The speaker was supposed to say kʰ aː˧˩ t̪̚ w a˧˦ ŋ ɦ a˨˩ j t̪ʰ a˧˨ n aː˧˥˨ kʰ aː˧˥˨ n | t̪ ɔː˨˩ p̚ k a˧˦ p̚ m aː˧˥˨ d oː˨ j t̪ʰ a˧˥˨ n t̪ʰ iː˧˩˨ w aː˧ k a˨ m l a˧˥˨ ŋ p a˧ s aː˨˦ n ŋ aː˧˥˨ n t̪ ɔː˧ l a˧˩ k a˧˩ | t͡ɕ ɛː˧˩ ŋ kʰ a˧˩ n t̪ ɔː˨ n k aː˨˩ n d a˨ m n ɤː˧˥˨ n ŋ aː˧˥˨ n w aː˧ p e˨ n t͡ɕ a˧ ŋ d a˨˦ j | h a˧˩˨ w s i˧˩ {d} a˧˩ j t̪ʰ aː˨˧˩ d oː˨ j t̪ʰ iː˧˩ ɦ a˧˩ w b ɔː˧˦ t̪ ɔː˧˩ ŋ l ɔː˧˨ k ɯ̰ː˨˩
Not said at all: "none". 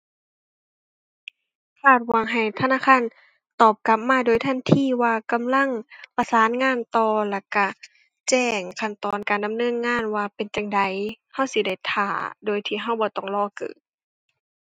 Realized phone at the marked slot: d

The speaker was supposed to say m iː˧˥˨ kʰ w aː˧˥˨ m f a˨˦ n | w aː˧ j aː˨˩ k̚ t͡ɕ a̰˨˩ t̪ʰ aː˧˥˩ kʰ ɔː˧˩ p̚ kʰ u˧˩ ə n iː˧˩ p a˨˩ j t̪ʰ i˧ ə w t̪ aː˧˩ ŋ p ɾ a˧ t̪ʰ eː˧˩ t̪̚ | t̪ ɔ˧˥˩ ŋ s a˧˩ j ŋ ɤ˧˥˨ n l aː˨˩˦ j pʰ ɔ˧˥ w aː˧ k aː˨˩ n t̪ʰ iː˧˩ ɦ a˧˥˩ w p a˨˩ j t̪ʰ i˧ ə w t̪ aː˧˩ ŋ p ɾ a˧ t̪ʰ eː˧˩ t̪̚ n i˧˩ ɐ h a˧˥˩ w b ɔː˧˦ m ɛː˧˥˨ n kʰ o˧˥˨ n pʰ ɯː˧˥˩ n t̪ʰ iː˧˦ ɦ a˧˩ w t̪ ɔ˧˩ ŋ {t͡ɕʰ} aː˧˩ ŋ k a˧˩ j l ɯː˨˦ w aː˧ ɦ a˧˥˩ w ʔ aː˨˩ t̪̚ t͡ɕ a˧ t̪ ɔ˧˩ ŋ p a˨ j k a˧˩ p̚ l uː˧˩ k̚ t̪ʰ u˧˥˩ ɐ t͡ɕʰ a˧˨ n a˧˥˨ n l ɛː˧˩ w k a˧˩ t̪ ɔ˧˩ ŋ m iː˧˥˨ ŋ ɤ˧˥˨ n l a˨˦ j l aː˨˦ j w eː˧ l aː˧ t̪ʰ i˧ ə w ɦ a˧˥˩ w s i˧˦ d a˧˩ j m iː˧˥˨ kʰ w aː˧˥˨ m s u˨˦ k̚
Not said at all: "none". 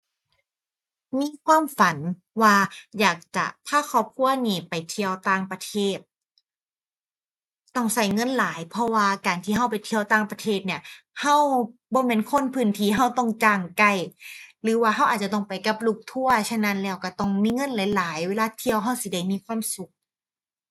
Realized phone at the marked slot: t͡ɕ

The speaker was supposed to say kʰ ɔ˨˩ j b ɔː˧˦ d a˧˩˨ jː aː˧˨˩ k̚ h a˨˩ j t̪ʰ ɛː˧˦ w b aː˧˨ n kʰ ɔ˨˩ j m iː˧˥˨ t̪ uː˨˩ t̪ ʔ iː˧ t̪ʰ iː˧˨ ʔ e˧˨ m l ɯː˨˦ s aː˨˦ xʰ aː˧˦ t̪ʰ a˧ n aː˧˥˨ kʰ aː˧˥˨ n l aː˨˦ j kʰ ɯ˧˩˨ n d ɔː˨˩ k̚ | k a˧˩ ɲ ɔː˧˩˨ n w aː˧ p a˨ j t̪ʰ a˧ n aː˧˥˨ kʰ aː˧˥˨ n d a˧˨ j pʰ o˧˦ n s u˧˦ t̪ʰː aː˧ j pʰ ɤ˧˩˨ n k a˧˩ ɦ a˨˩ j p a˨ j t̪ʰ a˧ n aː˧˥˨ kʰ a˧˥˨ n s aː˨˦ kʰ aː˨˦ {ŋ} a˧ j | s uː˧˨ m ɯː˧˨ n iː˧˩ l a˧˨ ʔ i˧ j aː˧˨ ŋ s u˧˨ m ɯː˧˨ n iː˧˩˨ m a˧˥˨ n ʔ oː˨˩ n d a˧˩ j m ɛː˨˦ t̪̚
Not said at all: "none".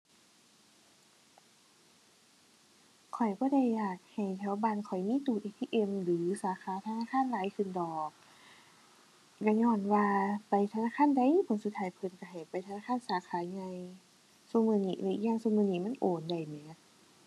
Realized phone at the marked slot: ɲ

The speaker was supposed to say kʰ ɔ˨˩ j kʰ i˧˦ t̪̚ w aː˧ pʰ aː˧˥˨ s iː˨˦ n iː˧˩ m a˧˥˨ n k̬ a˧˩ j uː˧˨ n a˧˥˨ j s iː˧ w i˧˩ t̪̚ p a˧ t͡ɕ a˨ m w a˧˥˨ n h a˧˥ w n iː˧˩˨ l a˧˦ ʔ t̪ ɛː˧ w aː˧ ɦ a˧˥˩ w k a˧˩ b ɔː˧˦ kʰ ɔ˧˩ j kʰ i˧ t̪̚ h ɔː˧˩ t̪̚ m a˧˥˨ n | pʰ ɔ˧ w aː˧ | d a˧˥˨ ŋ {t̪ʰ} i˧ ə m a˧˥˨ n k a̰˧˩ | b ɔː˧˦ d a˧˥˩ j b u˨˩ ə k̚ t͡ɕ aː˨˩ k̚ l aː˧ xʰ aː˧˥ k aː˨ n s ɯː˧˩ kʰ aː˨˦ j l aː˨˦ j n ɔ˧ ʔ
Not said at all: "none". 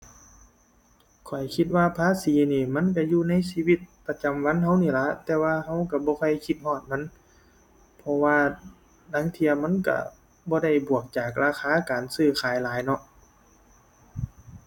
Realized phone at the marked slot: t̪ʰ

